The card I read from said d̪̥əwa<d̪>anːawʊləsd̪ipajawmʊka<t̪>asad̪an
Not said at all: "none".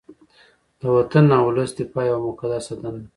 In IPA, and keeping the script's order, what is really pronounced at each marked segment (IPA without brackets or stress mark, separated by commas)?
t̪, d̪